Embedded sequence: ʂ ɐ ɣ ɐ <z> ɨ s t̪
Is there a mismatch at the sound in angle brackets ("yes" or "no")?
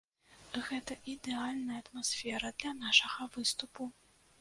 yes